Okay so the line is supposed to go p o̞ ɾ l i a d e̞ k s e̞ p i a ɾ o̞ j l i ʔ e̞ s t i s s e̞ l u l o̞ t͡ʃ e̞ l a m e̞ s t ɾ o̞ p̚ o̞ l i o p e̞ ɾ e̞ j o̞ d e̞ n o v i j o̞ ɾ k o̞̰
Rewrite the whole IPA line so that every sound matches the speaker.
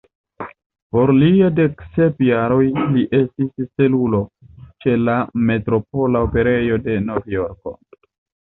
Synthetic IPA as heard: p o̞ ɾ l i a d e̞ k s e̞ p j a ɾ o̞ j l i ʔ e̞ s t i s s e̞ l u l o̞ t͡ʃ e̞ l a m e̞ t ɾ o̞ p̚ o̞ l a o p e̞ ɾ e̞ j o̞ d e̞ n o v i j o̞ ɾ k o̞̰